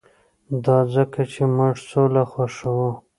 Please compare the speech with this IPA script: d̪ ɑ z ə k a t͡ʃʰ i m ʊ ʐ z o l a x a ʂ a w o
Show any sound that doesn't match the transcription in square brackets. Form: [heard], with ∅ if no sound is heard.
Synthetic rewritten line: d̪ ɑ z ə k a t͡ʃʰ [e] m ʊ ʐ [s] o l a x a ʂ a w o